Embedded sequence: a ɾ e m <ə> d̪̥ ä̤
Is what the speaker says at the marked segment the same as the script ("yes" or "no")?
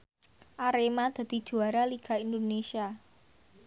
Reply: no